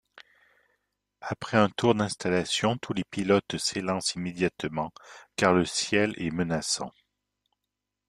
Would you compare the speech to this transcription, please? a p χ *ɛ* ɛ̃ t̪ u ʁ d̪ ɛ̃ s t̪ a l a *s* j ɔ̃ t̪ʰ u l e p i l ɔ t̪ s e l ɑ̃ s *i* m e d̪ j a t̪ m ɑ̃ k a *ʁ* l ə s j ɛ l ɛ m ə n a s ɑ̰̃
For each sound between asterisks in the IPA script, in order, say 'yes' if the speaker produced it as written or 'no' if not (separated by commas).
yes, yes, yes, yes